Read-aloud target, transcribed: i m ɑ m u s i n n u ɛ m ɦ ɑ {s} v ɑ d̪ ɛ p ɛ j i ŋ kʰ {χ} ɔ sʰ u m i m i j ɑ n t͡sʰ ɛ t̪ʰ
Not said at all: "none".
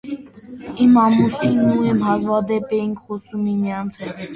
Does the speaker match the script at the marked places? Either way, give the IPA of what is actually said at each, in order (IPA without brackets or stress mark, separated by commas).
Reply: z, χ